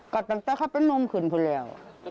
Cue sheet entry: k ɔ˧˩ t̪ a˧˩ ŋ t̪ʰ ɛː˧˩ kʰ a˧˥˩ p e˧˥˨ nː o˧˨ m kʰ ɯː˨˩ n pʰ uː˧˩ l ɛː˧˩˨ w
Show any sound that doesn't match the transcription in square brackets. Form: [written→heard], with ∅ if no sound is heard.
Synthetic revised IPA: k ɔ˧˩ t̪ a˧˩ ŋ [t̪ʰ→t̪] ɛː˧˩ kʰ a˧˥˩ p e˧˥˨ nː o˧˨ m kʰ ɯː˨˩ n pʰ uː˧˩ l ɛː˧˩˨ w